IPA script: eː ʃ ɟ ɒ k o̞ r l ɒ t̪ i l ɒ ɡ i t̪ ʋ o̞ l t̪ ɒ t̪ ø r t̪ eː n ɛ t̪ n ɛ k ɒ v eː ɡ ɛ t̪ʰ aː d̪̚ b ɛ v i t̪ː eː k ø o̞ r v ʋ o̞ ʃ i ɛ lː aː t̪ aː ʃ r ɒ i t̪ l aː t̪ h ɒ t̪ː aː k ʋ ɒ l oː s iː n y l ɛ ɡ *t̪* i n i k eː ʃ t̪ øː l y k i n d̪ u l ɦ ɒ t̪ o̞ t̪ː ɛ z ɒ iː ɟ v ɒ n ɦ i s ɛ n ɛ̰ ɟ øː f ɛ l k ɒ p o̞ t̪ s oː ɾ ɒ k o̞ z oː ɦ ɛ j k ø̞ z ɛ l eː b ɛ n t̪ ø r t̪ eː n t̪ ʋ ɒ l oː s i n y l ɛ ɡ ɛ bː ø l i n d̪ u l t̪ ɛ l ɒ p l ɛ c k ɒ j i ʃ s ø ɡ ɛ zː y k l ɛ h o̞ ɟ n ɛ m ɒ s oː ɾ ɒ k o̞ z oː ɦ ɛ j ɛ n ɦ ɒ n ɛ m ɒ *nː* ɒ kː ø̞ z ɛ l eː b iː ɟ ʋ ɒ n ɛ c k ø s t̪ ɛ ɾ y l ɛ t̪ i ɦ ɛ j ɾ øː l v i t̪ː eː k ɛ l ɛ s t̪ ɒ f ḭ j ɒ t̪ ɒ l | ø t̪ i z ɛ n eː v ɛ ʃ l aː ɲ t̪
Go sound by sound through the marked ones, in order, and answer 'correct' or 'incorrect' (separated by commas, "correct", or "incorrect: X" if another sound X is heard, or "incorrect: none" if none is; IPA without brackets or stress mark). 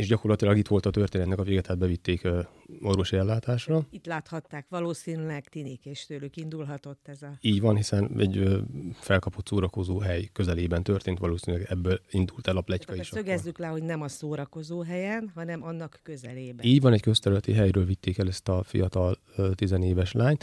correct, correct